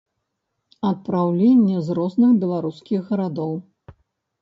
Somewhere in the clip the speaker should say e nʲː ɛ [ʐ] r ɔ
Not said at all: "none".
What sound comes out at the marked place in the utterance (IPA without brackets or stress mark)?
z